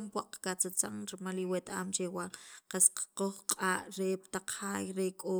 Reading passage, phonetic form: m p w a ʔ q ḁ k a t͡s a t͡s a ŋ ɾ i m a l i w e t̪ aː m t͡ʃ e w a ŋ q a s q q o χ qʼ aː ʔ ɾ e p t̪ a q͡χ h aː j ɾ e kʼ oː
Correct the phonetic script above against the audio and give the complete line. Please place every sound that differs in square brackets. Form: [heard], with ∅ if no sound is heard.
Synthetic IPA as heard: m p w a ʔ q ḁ k a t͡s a t͡s a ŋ ɾ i m a l i w e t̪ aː m t͡ʃ e w a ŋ q a s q q o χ qʼ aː ʔ ɾ e p t̪ a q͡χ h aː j ɾ e kʼ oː